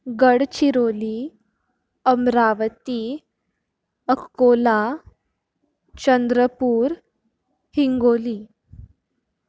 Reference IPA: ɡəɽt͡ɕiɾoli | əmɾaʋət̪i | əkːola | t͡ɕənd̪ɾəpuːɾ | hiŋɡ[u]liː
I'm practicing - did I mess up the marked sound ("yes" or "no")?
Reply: yes